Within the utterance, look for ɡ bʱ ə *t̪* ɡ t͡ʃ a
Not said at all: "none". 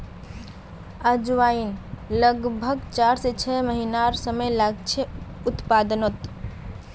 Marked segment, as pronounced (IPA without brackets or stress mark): none